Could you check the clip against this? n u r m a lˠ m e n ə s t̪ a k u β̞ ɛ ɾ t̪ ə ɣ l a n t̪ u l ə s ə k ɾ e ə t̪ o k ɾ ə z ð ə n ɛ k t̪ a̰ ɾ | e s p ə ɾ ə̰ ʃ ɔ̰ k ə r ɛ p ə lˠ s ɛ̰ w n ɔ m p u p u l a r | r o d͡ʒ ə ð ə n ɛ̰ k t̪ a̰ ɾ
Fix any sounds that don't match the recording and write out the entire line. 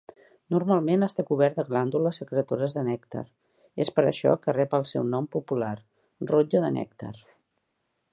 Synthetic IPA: n u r m a lˠ m e n ə s t̪ a k u β̞ ɛ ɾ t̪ ə ɣ l a n d̪ u l ə s ə k ɾ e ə t̪ o ɾ ə z ð ə n ɛ k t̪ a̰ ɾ | e s p ə ɾ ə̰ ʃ ɔ̰ k ə r ɛ p ə lˠ s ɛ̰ w n ɔ m p u p u l a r | r o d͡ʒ ə ð ə n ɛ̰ k t̪ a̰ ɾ